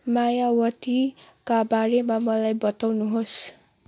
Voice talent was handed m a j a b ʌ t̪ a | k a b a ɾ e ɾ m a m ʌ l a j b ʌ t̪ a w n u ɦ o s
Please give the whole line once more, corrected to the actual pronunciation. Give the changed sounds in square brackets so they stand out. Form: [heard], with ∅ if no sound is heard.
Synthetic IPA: m a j a [w] ʌ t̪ [i] | k a b a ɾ e [∅] m a m ʌ l a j b ʌ t̪ a w n u ɦ o s